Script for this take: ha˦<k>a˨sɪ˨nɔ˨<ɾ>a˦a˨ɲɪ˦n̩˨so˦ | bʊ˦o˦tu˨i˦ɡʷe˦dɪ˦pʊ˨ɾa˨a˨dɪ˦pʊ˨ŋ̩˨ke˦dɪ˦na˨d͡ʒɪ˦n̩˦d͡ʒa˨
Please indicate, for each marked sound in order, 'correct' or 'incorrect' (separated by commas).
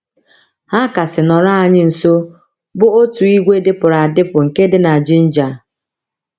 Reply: correct, correct